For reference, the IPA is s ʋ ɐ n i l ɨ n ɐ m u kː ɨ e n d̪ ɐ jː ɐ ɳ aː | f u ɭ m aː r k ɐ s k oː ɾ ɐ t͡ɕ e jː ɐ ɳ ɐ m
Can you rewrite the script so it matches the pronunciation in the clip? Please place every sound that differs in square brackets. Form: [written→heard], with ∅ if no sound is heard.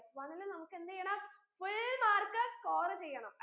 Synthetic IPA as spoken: s ʋ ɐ n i l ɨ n ɐ m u kː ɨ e n d̪ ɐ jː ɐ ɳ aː | f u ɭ m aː r k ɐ s k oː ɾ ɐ t͡ɕ e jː ɐ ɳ ɐ m